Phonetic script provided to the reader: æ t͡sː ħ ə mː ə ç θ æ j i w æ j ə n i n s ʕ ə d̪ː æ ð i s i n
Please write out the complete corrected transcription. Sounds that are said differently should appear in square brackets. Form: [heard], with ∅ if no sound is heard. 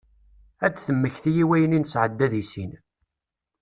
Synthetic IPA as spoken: æ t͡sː [θ] ə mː ə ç θ [i] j i w æ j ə n i n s ʕ ə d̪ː æ ð i s i n

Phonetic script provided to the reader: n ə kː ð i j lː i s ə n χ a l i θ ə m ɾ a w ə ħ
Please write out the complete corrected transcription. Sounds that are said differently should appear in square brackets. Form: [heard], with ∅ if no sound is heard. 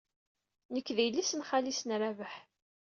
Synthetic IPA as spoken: n ə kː ð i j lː i s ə n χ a l i [s] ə [n] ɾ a [v] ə ħ

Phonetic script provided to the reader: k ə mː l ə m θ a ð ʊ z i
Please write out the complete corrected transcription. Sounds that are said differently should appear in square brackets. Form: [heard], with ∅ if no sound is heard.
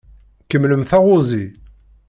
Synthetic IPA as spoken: k ə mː l ə m θ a [ʁ] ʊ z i

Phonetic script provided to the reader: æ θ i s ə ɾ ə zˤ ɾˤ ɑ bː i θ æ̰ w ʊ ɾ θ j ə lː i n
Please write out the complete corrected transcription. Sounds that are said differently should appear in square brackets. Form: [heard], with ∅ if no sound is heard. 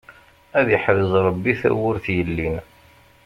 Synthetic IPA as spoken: æ [ð] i [ħ] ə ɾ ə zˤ ɾˤ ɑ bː i θ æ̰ w ʊ ɾ θ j ə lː i n

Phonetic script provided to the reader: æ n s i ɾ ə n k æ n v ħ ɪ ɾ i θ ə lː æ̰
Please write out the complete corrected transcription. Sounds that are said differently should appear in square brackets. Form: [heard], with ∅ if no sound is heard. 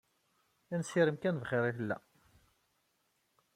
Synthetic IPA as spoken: æ n s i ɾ ə [m] k æ n v [χ] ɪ ɾ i θ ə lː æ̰

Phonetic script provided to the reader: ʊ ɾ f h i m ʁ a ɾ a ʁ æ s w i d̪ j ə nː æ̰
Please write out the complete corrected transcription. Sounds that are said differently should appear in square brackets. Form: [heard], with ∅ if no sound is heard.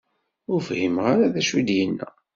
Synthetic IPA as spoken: ʊ ɾ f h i m ʁ a ɾ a [ð] æ [ʃ] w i d̪ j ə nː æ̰

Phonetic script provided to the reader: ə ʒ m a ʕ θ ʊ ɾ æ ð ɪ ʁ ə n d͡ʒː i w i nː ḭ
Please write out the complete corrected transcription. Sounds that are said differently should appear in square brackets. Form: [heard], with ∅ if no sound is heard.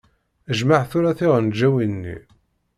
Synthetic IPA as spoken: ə ʒ m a ʕ θ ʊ ɾ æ [θ] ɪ ʁ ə n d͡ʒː [æ] w i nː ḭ

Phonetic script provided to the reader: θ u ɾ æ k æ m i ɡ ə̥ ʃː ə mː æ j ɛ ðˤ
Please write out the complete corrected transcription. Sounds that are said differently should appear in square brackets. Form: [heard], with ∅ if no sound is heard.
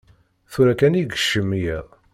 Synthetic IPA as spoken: θ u ɾ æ k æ [n] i ɡ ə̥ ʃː ə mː [i] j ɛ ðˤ

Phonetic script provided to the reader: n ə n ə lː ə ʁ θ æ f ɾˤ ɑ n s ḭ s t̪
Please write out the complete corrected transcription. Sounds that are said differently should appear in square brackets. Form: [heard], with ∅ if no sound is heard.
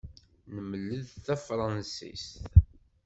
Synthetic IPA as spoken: n ə [m] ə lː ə [ð] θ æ f ɾˤ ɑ n s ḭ s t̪

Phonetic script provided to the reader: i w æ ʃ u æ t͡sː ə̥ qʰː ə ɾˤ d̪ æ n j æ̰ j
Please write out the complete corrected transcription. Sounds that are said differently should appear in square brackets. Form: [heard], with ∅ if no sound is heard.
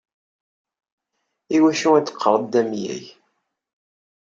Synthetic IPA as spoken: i w æ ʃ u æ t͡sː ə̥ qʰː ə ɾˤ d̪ æ [m] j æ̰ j

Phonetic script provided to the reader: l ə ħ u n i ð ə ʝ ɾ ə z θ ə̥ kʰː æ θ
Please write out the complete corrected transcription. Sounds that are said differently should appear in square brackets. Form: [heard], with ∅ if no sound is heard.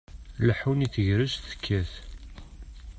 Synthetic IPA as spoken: l ə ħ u n i [θ] ə ʝ ɾ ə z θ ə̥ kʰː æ θ

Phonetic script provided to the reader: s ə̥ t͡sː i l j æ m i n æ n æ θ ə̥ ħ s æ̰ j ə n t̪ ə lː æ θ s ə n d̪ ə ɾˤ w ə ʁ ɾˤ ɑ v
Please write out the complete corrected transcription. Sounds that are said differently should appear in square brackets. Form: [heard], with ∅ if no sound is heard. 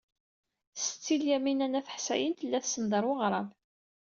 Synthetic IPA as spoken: s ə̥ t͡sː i l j æ m i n æ n æ θ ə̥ ħ s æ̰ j ə n t̪ ə lː æ θ s ə n d̪ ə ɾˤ w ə ʁ ɾˤ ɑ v

